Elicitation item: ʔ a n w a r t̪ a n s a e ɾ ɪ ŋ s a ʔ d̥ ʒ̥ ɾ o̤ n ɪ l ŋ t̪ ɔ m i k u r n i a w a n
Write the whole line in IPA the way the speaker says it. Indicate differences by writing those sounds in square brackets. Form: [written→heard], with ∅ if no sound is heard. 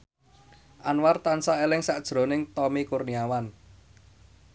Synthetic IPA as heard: ʔ a n w a r t̪ a n s a e [ɾ→l] ɪ ŋ s a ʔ d̥ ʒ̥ ɾ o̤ n ɪ [l→∅] ŋ t̪ ɔ m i k u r n i a w a n